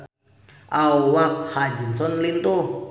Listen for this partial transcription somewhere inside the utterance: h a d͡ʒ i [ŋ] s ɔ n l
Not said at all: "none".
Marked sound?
n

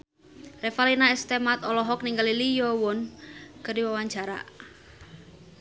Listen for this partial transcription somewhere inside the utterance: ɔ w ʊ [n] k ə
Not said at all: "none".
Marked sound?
n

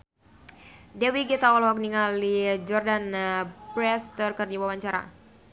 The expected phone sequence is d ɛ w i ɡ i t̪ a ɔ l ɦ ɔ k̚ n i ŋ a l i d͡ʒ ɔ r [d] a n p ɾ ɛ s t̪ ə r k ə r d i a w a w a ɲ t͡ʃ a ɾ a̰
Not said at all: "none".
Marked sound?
d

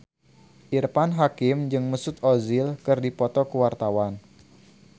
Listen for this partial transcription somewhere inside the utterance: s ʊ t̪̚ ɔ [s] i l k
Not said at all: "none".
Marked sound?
z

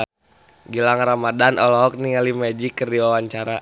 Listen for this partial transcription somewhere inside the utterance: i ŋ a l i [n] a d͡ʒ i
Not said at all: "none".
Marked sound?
m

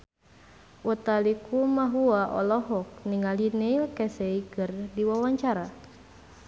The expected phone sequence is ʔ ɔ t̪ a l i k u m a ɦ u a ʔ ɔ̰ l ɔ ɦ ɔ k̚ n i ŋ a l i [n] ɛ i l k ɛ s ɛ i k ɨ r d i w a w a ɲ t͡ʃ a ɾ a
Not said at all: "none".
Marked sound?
n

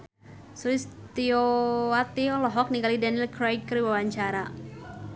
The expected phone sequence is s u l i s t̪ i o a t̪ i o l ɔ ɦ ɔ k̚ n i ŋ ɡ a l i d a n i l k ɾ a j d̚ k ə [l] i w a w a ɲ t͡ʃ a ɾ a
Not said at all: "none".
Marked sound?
ɾ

